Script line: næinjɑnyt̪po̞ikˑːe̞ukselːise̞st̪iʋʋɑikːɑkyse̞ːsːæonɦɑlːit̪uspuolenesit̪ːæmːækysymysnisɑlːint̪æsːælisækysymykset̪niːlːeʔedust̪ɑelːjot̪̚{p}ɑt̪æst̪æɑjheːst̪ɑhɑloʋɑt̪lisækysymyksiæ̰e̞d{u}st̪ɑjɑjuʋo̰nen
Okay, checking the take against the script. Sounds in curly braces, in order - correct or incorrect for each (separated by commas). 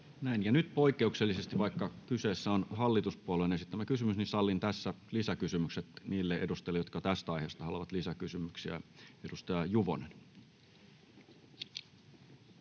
incorrect, correct